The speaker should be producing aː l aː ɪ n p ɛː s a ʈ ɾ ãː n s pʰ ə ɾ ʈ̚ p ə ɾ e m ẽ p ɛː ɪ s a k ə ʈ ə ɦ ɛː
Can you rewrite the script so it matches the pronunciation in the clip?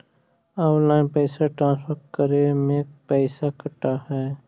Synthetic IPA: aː l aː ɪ n p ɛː s a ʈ ɾ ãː n s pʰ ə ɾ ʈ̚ k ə ɾ e m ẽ p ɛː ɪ s a k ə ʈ a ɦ ɛː